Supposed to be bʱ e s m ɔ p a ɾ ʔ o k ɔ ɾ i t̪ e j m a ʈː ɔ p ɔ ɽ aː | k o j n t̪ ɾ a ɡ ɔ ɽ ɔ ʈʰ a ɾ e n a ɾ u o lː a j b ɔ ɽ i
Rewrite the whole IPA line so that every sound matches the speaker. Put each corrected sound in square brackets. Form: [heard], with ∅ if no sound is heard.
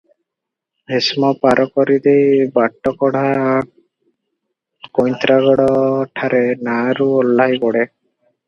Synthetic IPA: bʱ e s m ɔ p a ɾ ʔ [ɔ] k ɔ ɾ i [d̪] e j [b] a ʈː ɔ [k] ɔ ɽ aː | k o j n t̪ ɾ a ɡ ɔ ɽ ɔ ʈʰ a ɾ e n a ɾ u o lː a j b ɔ ɽ [e]